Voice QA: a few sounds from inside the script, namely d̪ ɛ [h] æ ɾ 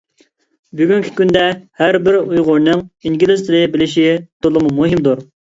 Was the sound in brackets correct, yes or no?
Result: yes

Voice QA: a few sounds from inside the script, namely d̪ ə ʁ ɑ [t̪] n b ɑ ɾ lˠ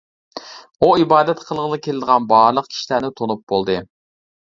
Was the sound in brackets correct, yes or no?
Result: no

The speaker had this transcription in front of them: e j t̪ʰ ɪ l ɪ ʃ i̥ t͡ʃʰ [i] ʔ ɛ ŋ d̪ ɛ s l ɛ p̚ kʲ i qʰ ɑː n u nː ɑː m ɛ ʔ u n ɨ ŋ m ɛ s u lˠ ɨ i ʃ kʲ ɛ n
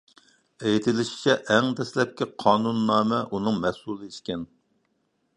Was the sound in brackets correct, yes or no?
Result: no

